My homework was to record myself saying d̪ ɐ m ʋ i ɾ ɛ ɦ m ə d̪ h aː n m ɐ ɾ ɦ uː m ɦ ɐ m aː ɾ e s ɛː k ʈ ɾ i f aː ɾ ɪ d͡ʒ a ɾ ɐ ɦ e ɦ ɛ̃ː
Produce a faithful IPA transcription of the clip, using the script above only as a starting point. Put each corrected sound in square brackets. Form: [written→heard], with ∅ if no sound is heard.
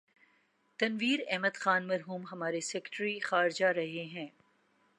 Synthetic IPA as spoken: [d̪→t̪] ɐ [m→n] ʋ [i→iː] ɾ ɛ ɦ m ə d̪ [h→x] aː n m ɐ ɾ ɦ uː m ɦ ɐ m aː ɾ e s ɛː k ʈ ɾ i [f→x] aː ɾ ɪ d͡ʒ a ɾ ɐ ɦ e ɦ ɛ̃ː